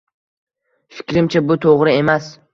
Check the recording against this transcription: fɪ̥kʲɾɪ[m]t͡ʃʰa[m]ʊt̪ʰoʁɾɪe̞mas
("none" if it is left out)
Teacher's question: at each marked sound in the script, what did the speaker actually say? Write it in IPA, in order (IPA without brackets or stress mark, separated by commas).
m, b